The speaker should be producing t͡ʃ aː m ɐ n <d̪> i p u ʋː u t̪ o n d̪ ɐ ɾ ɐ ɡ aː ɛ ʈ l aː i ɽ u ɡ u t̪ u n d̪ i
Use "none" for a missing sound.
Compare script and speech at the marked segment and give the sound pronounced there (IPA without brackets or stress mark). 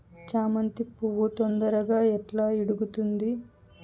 t̪